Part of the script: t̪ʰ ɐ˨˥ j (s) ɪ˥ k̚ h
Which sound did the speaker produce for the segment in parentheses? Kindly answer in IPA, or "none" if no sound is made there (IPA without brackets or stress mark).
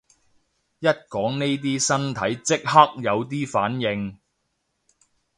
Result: t͡s